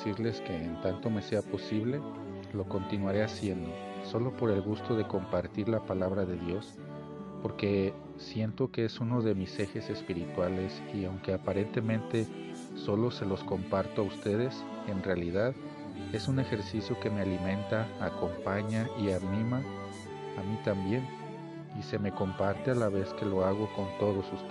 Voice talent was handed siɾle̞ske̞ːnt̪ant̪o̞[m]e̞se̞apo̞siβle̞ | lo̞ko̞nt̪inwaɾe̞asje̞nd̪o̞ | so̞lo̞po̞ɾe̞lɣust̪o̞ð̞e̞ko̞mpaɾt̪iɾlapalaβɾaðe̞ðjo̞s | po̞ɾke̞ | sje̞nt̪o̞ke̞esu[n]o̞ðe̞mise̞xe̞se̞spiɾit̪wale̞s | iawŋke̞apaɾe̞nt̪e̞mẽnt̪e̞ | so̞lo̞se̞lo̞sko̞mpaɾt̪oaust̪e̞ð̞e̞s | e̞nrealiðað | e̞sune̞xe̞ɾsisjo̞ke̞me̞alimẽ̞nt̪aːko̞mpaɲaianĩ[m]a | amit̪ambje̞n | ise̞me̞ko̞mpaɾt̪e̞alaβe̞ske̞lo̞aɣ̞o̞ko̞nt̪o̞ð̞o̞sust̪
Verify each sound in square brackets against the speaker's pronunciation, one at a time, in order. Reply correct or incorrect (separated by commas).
correct, correct, correct